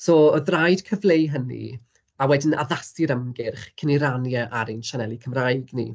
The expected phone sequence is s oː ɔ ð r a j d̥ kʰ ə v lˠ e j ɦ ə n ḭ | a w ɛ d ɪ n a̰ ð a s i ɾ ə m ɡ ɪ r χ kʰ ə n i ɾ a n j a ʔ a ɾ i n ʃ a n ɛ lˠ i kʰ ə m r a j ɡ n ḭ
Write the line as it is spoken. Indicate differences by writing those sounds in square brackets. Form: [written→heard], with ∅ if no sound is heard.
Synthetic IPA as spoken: s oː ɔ ð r a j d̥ kʰ ə v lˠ e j ɦ ə n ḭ | a w ɛ d ɪ n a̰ ð a s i ɾ ə m ɡ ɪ r χ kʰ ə n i ɾ a n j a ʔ a ɾ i n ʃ a n ɛ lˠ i kʰ ə m r a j ɡ n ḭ